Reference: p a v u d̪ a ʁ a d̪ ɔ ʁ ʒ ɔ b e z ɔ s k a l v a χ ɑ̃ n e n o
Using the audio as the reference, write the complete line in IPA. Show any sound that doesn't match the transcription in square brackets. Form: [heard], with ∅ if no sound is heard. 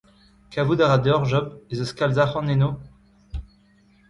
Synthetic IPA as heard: [k] a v u d̪ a ʁ a d̪ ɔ ʁ ʒ ɔ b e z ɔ s k a l [z] a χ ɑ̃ n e n o